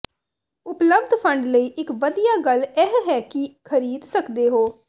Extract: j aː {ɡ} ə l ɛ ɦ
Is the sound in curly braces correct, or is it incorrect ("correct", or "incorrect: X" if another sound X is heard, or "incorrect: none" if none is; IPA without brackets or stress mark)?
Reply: correct